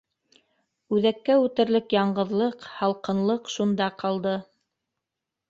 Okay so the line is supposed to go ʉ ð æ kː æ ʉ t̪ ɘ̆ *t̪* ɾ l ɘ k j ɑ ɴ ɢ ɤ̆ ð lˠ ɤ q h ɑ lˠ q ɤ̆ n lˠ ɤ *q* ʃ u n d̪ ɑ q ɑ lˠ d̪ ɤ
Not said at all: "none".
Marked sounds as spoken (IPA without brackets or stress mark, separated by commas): none, q